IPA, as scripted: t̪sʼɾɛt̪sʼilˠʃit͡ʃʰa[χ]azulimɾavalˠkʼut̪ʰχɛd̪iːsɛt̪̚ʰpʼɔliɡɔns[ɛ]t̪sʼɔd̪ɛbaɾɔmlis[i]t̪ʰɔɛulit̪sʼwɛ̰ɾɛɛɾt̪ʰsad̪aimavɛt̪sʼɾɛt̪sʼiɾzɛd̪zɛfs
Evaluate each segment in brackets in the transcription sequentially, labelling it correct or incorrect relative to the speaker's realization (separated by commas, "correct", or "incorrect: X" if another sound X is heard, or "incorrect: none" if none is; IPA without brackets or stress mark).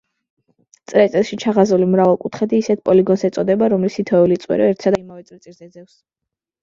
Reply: incorrect: ʁ, correct, correct